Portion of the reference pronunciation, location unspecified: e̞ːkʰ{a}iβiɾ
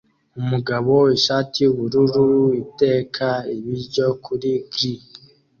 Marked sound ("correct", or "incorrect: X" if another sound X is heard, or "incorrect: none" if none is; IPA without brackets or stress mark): correct